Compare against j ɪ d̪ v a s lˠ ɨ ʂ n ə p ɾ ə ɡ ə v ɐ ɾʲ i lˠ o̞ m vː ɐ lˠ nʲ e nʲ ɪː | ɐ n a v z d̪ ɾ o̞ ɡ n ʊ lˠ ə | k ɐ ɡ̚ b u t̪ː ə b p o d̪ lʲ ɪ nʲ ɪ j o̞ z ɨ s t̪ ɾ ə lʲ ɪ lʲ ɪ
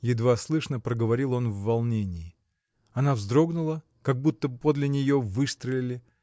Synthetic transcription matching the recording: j ɪ d̪ v a s lˠ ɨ ʂ n ə p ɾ ə ɡ ə v ɐ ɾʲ i lˠ o̞ n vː ɐ lˠ nʲ e nʲ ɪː | ɐ n a v z d̪ ɾ o̞ ɡ n ʊ lˠ ə | k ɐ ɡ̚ b u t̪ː ə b p o d̪ lʲ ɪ nʲ ɪ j o̞ v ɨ s t̪ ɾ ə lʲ ɪ lʲ ɪ